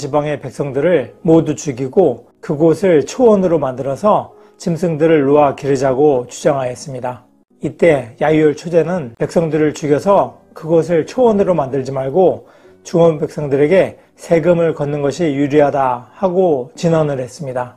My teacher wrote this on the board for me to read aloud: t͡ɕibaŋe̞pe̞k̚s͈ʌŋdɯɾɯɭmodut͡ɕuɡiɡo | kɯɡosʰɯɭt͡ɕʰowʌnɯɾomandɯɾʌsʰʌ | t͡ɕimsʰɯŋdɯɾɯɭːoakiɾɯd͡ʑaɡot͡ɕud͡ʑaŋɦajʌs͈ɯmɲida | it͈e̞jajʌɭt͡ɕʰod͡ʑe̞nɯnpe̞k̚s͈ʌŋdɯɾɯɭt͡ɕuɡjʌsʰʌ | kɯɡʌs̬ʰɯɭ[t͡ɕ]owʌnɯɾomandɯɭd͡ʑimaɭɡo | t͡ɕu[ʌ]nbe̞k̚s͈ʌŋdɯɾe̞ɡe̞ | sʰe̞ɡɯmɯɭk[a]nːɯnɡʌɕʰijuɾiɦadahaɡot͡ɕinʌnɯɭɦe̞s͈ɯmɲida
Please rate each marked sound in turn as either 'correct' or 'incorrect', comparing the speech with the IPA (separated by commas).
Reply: incorrect, correct, incorrect